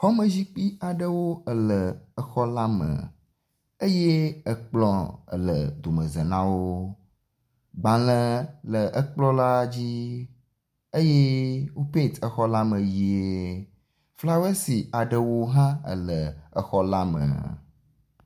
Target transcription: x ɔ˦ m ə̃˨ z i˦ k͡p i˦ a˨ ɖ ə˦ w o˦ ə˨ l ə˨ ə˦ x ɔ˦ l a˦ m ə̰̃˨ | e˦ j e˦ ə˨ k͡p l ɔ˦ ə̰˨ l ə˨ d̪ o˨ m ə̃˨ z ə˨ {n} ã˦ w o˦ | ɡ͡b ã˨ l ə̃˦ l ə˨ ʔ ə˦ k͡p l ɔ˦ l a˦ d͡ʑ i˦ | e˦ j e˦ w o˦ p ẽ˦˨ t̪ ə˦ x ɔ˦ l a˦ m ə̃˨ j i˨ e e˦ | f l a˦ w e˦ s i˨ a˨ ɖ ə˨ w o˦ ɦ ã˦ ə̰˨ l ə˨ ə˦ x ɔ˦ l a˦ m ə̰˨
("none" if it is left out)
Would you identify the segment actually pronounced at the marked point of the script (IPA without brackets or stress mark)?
n